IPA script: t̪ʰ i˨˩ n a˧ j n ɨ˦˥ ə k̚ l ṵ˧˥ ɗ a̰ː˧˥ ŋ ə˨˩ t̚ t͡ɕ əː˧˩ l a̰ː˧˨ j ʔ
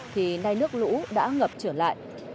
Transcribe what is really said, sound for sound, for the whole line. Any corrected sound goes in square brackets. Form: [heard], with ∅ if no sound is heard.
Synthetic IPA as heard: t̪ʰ i˨˩ n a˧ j n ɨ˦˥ ə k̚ l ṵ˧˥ ɗ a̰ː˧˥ ŋ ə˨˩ [p̚] t͡ɕ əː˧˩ l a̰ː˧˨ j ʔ